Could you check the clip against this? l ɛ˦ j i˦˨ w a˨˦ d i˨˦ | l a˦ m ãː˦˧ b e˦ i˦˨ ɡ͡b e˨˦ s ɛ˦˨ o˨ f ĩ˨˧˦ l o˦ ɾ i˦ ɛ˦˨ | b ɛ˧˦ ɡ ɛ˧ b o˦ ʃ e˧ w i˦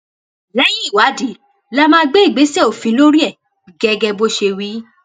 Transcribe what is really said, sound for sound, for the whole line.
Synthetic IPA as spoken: l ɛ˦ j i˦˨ w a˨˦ d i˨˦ | l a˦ m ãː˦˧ ɡ͡b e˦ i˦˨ ɡ͡b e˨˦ s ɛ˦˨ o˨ f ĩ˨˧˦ l o˦ ɾ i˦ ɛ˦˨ | ɡ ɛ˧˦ ɡ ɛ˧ b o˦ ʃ e˧ w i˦